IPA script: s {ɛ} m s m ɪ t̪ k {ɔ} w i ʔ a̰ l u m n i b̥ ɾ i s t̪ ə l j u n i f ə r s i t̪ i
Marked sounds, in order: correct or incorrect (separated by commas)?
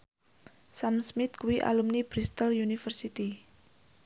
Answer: incorrect, incorrect